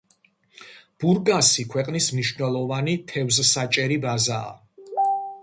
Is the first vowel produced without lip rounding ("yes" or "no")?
no